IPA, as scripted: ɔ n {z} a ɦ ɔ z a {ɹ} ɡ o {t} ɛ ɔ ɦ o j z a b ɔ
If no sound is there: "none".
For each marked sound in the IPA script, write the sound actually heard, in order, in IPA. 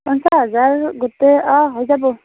s, ɹ, t

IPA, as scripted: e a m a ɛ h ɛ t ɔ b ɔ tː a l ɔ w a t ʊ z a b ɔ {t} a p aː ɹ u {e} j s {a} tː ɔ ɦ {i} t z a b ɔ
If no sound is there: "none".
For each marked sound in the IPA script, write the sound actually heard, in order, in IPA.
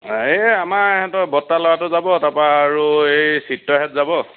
t, e, i, ɛ

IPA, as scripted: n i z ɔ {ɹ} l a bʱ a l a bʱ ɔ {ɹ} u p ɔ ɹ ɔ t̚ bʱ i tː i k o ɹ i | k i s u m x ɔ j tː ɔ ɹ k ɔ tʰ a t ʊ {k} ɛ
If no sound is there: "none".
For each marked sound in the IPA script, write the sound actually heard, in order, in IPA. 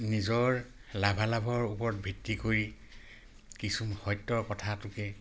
ɹ, ɹ, k

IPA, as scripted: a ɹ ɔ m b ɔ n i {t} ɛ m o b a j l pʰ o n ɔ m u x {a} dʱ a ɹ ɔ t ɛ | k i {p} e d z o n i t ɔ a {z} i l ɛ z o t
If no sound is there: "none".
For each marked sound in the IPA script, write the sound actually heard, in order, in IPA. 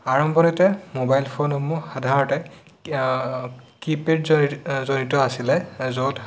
t, a, p, s

